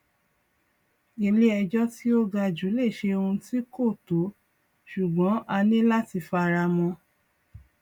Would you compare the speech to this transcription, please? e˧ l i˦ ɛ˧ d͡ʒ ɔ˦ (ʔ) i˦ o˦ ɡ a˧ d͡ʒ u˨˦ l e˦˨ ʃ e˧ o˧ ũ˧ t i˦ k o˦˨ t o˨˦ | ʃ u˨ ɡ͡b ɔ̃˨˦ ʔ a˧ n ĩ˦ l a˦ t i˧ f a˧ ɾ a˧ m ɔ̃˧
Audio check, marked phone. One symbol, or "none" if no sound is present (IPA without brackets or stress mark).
t